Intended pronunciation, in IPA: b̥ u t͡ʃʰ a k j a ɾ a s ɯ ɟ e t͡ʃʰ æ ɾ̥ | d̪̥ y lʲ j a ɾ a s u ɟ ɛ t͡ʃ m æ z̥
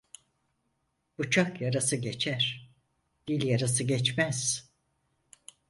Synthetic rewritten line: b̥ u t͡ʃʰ a k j a ɾ a s ɯ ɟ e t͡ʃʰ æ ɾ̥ | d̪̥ i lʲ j a ɾ a s ɯ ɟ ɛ t͡ʃ m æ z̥

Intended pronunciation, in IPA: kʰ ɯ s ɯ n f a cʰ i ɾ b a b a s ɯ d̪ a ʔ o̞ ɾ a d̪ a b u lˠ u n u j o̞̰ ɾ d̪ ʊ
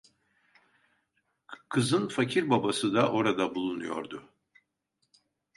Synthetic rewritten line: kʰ ɯ z ɯ n f a cʰ i ɾ b a b a s ɯ d̪ a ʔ o̞ ɾ a d̪ a b u lˠ u n u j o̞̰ ɾ d̪ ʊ

